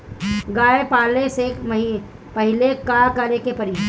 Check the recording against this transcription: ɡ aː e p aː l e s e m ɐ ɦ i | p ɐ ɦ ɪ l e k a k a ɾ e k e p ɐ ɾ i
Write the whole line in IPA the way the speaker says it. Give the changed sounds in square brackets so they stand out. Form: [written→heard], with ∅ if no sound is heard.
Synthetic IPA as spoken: ɡ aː e p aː l e s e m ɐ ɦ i | p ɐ ɦ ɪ l e k a k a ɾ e k e p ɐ ɾ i